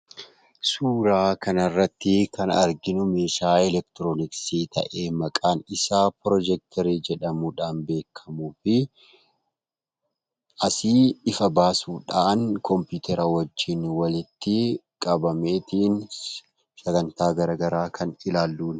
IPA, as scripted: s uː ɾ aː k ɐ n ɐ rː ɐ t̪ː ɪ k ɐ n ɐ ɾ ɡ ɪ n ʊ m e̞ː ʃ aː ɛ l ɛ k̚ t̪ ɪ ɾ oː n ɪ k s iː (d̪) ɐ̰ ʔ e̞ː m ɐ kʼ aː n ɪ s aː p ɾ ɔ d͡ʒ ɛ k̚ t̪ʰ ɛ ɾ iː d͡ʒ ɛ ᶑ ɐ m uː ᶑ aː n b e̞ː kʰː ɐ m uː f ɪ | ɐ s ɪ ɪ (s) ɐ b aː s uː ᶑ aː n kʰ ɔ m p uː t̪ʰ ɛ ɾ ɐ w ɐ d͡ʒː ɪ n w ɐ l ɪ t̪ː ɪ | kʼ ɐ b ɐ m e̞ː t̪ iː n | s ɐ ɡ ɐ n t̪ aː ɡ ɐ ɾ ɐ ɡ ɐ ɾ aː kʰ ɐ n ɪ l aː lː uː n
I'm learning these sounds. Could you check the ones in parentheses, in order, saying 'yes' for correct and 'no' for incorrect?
no, no

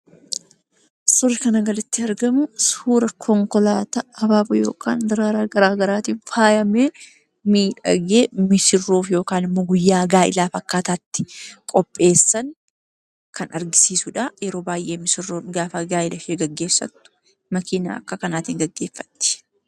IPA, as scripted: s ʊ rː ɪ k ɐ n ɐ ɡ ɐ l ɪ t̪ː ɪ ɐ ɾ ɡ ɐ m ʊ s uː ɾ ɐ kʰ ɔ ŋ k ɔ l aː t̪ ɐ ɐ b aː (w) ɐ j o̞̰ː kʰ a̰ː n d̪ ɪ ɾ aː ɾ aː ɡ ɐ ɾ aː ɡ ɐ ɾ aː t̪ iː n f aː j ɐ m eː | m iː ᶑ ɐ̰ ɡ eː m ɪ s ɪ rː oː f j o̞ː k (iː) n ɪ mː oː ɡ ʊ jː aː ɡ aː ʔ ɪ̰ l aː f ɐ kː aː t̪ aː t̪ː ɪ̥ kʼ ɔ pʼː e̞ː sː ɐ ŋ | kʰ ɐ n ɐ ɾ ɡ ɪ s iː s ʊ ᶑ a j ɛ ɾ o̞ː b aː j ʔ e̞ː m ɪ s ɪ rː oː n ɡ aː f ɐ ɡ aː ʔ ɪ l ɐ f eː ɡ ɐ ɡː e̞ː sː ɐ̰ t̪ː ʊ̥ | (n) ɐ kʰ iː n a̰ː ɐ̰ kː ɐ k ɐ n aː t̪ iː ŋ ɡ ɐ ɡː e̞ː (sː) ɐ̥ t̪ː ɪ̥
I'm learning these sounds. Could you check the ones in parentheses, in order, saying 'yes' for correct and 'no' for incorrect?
no, no, no, no

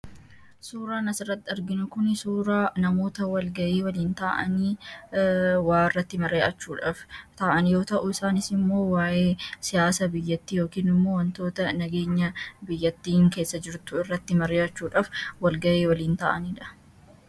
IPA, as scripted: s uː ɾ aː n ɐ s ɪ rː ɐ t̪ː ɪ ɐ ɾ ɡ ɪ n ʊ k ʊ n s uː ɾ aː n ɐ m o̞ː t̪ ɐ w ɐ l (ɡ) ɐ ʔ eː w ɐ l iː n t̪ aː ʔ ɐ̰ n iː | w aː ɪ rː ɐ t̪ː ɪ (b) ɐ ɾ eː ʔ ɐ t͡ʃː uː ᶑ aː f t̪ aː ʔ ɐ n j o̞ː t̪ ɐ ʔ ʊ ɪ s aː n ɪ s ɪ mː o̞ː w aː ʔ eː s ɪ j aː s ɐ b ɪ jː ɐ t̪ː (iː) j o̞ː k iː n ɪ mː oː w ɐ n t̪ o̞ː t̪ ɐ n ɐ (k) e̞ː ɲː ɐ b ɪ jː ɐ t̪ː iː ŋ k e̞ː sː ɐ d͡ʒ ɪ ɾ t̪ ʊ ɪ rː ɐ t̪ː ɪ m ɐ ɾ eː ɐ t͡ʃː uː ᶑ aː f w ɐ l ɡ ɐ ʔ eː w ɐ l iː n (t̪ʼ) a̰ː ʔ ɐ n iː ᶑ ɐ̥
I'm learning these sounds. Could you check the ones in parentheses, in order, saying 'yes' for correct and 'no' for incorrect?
yes, no, yes, no, no

